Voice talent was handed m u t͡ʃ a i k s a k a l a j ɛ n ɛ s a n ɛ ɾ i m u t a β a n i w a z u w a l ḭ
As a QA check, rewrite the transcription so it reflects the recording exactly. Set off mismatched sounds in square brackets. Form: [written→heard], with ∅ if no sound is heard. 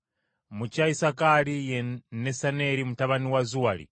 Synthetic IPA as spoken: m u t͡ʃ a i [k→∅] s a k a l [a→i] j ɛ n ɛ s a n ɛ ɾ i m u t a β a n i w a z u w a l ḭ